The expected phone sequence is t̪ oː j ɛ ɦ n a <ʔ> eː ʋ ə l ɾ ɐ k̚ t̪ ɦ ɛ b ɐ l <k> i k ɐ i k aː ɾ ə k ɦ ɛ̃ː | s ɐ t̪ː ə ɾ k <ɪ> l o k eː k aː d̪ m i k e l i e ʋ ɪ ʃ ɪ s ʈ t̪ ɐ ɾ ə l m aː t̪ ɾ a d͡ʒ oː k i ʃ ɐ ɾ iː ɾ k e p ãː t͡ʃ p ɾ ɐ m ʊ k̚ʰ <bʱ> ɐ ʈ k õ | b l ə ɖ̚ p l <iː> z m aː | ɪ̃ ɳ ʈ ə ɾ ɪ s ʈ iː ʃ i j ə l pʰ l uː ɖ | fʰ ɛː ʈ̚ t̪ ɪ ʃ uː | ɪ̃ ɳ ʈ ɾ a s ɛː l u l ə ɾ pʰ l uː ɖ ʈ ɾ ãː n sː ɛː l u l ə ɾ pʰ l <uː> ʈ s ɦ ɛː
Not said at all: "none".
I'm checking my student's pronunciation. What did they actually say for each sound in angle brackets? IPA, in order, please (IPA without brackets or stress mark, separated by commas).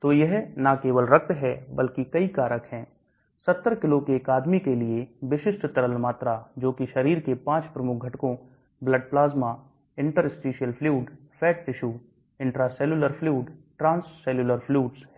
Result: k, k, ɪ, ɡʱ, aː, uː